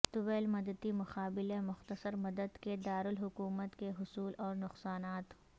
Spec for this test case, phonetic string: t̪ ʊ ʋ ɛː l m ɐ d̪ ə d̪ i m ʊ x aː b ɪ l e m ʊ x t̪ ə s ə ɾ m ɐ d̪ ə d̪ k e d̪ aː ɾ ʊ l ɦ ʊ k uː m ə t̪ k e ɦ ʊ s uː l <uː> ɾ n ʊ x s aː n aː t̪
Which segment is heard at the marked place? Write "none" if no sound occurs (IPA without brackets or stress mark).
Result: ɔː